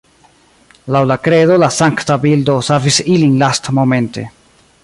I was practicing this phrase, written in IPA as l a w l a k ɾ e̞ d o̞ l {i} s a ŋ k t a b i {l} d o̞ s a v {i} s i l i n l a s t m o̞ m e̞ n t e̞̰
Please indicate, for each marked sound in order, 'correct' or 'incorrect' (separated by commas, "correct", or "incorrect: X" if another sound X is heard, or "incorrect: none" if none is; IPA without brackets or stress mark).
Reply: incorrect: a, correct, correct